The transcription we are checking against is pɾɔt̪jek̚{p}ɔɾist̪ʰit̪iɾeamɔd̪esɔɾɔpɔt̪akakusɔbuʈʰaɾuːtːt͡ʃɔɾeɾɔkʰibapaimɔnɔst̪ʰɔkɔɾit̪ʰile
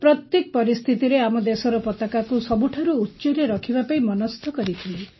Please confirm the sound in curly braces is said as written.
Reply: yes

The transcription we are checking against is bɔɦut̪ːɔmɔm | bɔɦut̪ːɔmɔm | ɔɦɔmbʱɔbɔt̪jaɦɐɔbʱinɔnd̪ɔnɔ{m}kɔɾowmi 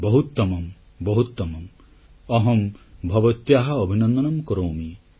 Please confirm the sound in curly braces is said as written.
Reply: yes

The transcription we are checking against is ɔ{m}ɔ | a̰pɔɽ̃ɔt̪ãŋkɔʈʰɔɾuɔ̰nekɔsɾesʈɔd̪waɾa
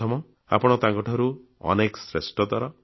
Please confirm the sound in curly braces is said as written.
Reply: yes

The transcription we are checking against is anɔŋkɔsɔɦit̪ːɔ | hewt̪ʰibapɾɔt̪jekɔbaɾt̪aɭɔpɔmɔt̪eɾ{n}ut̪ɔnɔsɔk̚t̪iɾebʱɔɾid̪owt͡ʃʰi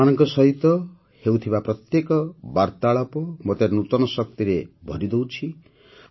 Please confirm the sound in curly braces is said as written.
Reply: yes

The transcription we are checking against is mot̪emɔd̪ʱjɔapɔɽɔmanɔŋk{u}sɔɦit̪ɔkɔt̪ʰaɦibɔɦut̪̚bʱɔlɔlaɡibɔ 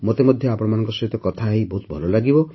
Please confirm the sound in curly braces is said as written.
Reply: no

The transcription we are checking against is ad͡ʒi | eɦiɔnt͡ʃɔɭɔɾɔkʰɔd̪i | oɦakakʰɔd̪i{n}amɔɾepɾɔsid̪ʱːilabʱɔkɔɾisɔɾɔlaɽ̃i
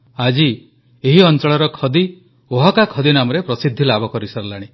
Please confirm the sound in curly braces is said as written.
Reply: yes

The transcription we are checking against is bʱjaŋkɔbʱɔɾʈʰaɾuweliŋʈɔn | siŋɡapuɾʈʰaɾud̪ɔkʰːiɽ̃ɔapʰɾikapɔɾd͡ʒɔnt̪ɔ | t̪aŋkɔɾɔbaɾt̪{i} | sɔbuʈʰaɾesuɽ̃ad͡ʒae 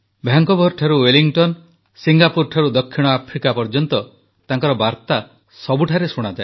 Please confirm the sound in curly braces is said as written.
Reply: no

